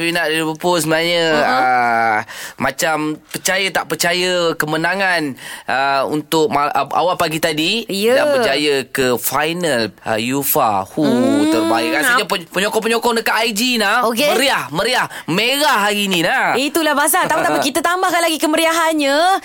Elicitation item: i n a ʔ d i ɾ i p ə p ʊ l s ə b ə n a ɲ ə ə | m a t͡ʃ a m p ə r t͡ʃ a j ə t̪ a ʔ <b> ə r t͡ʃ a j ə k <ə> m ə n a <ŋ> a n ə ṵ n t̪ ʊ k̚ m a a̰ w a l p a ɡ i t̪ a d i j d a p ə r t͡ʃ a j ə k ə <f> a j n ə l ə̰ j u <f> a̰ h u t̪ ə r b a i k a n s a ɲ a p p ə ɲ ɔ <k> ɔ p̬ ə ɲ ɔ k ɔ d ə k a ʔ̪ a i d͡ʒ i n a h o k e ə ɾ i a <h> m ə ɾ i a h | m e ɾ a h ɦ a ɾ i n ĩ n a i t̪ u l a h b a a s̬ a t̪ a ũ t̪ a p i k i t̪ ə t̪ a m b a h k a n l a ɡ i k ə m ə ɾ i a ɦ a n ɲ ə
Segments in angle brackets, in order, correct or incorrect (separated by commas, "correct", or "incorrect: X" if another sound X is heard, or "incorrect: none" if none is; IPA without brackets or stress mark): incorrect: p, correct, correct, correct, correct, correct, correct